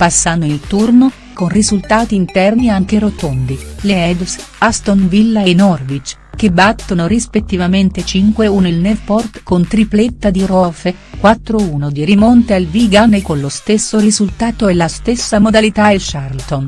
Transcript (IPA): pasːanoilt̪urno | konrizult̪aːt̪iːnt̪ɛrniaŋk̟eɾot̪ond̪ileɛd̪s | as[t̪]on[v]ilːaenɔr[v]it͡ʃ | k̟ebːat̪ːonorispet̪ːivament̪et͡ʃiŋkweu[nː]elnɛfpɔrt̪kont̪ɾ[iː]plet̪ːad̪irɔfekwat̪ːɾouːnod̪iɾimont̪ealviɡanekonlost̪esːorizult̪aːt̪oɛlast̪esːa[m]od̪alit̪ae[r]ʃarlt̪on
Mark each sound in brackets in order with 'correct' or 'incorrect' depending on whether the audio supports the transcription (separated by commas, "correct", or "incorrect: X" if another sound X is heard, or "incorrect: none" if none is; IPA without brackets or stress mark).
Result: correct, correct, correct, incorrect: n, incorrect: i, correct, incorrect: l